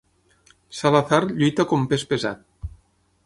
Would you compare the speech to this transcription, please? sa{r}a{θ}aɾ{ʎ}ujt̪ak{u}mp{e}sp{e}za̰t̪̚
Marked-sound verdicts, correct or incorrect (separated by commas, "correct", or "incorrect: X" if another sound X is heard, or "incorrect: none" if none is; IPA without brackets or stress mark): incorrect: l, correct, correct, incorrect: o, correct, correct